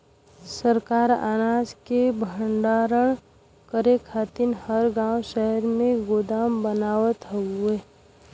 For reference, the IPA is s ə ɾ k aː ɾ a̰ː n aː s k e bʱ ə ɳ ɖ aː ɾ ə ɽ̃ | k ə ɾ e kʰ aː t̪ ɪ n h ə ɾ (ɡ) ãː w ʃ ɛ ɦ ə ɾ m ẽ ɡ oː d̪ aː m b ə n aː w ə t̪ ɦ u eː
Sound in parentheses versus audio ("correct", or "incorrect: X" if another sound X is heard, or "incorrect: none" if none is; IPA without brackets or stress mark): correct